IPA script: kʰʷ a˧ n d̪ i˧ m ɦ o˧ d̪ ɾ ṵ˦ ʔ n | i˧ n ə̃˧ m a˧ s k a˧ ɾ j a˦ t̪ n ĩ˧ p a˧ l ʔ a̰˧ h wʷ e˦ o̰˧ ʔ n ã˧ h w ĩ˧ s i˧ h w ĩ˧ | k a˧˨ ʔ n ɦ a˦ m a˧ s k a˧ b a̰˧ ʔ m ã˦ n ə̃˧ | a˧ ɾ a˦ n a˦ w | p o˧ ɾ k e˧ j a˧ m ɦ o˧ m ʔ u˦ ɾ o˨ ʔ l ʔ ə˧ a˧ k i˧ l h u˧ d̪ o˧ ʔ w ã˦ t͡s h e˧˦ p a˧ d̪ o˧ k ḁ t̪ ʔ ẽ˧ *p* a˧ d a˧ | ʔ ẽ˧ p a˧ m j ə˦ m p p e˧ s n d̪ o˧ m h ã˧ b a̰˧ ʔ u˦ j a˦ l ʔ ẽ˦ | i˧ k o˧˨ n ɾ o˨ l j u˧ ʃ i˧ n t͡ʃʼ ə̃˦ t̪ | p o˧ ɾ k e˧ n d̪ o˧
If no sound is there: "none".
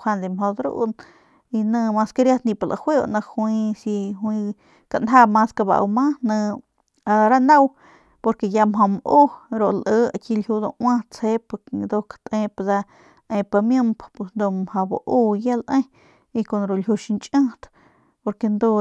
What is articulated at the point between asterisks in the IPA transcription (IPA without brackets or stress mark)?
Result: p